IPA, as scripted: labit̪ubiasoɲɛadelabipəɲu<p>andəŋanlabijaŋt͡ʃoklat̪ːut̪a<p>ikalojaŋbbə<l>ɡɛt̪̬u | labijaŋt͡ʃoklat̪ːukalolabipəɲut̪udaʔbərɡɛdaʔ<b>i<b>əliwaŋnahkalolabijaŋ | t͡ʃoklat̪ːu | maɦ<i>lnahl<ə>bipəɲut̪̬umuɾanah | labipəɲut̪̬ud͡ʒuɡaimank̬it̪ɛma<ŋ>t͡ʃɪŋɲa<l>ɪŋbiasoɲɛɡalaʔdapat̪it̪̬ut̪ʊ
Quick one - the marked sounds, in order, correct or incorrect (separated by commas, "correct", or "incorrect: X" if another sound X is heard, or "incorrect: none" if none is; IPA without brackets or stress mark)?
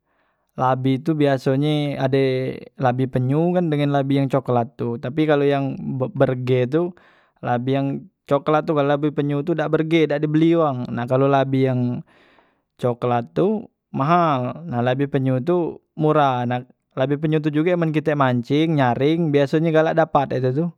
incorrect: k, correct, incorrect: r, incorrect: d, correct, incorrect: a, incorrect: a, incorrect: ɲ, incorrect: ɾ